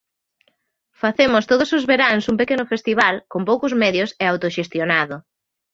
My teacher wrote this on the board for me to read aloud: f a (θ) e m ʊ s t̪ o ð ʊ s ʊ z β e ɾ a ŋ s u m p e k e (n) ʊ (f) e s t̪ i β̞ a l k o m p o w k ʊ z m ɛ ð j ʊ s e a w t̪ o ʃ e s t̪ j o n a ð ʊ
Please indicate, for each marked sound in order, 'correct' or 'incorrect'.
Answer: correct, correct, correct

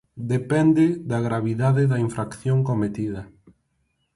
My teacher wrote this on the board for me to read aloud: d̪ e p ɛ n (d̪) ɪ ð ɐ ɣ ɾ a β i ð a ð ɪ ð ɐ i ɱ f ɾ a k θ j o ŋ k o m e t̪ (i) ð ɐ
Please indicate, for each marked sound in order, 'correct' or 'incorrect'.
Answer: correct, correct

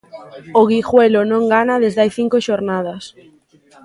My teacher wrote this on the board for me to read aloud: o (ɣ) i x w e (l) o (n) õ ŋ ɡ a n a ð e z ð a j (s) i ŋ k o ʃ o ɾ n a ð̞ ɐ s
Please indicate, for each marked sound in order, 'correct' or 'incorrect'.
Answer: correct, correct, correct, incorrect: θ

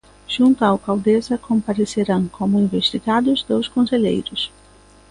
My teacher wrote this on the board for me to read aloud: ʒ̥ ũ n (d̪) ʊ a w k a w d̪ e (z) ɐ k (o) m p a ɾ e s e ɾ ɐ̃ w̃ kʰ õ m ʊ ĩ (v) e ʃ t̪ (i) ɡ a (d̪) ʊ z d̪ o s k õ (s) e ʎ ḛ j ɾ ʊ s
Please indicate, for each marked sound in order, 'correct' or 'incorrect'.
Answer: incorrect: t̪, correct, incorrect: õ, correct, correct, correct, correct

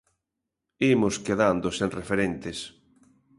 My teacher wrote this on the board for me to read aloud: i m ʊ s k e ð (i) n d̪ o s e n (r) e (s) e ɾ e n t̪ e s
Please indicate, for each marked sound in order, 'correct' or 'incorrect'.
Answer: incorrect: a, correct, incorrect: f

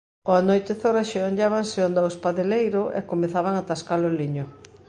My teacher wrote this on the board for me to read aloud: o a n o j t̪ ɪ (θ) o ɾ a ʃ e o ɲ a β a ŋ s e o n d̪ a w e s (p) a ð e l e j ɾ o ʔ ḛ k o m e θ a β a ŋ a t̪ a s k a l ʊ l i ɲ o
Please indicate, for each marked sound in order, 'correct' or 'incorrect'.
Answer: correct, correct

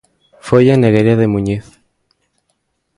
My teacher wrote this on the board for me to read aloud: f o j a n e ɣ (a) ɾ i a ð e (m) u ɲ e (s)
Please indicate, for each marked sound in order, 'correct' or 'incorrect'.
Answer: incorrect: e, correct, incorrect: θ

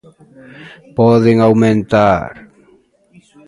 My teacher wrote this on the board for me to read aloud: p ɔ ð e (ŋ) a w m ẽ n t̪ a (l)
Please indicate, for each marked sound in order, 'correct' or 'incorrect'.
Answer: correct, incorrect: ɾ

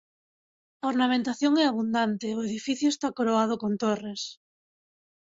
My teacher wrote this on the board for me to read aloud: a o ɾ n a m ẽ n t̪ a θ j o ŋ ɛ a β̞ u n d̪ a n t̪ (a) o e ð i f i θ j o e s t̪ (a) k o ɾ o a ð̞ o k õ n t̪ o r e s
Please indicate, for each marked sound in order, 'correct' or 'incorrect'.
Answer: incorrect: e, correct

